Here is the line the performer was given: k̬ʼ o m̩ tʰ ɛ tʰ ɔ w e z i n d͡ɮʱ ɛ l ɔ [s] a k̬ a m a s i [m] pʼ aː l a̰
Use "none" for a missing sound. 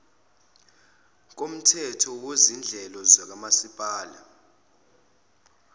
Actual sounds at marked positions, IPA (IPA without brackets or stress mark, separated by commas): z, none